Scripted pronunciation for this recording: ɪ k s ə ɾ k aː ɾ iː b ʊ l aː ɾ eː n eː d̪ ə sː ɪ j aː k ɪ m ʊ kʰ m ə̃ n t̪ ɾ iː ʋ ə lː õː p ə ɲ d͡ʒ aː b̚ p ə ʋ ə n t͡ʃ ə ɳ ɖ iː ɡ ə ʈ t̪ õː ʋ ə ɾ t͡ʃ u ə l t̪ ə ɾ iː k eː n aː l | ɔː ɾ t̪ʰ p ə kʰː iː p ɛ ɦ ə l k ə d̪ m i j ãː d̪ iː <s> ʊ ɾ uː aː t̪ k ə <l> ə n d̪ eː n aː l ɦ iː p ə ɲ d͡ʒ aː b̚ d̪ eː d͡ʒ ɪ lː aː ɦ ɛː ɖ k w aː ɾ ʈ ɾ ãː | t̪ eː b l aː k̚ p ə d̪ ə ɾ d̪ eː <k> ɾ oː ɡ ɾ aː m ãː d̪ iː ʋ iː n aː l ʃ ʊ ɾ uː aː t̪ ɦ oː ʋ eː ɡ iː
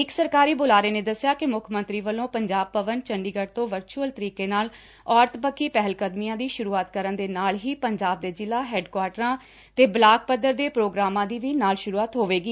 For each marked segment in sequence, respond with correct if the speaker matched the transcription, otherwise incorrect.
incorrect: ʃ, incorrect: ɾ, incorrect: p

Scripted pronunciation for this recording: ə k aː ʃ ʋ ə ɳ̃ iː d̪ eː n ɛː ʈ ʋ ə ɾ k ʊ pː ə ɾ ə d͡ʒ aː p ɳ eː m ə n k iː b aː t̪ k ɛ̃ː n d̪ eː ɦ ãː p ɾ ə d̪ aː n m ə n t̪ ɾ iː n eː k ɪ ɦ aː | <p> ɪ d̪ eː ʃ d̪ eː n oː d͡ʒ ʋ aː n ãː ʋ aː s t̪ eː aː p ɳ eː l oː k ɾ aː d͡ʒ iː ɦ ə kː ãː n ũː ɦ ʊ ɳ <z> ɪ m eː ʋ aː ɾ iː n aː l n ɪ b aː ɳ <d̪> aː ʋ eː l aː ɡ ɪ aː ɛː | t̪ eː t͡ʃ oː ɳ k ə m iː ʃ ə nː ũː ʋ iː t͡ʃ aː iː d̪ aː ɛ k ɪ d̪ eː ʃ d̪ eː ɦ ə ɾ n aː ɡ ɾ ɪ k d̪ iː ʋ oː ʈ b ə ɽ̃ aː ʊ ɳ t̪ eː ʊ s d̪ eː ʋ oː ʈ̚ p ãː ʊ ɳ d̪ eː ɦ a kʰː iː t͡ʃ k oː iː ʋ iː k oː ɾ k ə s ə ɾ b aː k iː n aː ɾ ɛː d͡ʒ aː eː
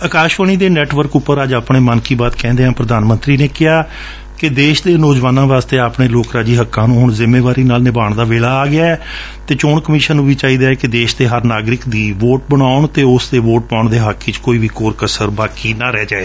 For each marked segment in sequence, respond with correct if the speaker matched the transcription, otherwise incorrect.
incorrect: k, correct, correct

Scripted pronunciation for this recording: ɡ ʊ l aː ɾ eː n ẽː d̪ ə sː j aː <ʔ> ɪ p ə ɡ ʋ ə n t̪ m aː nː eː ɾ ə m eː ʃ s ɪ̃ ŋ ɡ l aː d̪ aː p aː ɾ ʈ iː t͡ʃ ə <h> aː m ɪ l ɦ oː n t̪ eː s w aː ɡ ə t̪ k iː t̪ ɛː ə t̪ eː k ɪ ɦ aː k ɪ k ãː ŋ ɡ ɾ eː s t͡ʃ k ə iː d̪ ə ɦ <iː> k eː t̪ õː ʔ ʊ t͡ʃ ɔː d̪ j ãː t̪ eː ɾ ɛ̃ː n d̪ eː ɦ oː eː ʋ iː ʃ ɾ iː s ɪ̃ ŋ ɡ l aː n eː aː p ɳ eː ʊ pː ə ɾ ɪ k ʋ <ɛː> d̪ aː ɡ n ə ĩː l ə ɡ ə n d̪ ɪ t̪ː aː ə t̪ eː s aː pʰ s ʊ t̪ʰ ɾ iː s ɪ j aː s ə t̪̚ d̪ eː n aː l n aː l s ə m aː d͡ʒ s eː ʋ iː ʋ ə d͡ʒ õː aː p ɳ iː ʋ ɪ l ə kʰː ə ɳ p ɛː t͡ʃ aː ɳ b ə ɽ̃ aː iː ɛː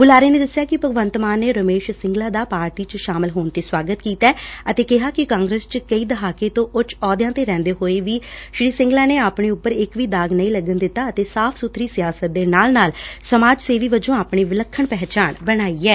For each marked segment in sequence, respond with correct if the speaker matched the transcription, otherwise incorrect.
incorrect: k, incorrect: ʃ, incorrect: aː, incorrect: iː

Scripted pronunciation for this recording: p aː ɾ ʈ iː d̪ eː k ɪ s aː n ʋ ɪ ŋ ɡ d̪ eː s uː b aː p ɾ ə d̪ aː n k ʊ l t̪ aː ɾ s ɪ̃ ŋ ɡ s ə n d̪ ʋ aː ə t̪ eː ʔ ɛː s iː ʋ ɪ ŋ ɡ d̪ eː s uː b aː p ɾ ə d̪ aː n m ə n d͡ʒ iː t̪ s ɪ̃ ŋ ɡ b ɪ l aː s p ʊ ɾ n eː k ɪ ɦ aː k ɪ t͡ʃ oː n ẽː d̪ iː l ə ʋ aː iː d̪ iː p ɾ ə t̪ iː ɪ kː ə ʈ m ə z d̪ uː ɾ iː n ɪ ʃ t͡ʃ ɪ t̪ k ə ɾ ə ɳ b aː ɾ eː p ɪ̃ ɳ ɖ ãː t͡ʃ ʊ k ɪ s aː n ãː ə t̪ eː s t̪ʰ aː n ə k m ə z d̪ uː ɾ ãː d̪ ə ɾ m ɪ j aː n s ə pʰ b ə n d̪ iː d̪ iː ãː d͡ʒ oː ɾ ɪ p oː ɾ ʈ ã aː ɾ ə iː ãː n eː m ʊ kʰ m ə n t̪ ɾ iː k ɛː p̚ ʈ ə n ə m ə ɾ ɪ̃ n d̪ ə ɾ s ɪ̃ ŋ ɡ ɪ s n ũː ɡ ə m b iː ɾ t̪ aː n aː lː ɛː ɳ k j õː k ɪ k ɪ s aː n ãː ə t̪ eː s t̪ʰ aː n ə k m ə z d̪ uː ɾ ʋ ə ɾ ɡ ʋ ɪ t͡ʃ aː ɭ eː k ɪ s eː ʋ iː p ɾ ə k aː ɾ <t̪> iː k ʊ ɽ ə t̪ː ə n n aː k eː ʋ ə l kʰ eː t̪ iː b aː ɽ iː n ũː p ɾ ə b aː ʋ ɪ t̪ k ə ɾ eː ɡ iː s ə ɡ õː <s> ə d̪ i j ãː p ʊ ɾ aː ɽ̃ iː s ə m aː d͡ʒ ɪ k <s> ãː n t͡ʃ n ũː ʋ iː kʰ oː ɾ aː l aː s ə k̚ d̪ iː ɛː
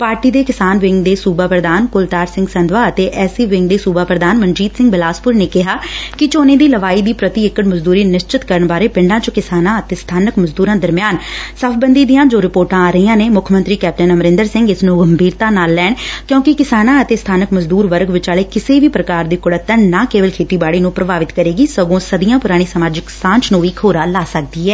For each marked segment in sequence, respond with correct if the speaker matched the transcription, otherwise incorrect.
incorrect: d̪, correct, correct

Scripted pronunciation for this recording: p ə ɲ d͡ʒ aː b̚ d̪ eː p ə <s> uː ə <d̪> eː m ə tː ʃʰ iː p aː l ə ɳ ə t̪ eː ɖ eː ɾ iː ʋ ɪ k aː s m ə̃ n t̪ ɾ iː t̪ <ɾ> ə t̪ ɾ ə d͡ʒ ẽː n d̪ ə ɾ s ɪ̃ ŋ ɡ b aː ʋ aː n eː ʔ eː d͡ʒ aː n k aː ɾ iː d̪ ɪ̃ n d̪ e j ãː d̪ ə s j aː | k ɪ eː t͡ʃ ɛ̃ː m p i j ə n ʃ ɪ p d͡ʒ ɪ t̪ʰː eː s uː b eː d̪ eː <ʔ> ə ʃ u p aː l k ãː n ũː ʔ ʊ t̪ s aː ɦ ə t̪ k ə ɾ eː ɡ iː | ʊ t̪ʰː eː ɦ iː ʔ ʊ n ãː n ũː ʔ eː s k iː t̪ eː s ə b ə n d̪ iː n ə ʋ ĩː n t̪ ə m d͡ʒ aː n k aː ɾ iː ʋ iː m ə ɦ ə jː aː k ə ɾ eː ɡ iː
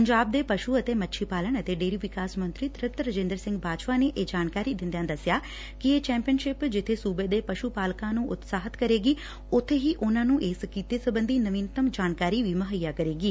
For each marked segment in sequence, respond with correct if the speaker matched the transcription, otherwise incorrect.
incorrect: ʃ, incorrect: t̪, correct, incorrect: p

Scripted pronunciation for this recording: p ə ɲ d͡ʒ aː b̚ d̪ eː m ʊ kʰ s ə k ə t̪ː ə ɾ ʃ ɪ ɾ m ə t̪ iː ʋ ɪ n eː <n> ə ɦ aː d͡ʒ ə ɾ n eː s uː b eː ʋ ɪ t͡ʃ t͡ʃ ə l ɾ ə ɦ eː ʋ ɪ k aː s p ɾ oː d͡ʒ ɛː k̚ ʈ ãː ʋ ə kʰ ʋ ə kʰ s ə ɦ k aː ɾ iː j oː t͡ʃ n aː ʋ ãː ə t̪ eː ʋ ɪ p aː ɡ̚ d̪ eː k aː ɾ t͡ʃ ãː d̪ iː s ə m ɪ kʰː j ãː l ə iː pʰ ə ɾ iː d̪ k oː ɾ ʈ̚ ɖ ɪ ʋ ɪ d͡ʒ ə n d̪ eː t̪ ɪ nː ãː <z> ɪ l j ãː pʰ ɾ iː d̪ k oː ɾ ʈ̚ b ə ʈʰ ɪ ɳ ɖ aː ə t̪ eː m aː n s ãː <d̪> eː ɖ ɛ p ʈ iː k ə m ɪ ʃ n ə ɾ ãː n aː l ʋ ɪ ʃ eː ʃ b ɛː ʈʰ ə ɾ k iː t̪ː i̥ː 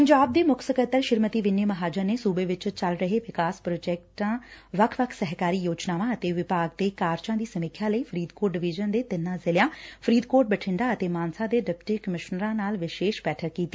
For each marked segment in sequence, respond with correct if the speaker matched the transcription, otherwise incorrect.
incorrect: m, correct, correct

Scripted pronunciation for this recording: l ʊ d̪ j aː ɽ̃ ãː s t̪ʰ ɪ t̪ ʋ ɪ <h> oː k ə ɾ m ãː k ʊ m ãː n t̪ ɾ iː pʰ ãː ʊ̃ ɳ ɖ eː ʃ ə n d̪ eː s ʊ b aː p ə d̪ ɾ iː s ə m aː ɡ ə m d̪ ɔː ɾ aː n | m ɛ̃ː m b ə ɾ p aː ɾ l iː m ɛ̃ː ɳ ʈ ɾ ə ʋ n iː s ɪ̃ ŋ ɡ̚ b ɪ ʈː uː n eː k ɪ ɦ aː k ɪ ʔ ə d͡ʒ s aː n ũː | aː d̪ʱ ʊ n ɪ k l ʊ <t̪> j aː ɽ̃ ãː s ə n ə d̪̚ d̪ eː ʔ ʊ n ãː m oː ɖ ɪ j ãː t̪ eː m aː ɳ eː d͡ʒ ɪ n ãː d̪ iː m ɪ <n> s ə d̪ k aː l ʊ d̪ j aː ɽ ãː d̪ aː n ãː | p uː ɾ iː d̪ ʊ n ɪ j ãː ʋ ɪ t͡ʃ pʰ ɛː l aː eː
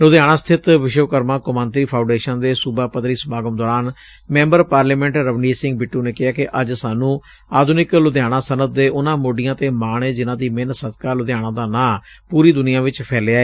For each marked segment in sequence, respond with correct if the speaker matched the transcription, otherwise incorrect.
incorrect: ʃ, incorrect: d̪, correct

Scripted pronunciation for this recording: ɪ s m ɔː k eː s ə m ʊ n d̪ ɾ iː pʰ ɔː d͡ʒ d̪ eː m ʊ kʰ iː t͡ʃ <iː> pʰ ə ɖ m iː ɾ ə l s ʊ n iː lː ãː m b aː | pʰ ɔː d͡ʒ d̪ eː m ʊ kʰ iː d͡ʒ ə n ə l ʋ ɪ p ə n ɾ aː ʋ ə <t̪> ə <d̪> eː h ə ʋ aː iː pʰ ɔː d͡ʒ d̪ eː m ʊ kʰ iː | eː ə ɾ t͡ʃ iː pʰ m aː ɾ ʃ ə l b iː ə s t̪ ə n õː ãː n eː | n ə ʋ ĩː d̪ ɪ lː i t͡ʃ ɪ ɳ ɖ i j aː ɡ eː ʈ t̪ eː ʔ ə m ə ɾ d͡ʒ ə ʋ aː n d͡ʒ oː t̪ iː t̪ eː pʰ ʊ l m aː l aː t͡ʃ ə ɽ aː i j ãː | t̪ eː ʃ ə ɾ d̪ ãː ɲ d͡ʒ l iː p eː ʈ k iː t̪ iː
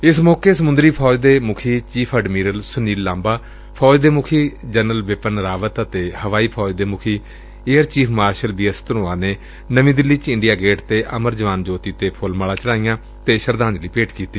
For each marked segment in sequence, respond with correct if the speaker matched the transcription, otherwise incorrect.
correct, correct, incorrect: t̪

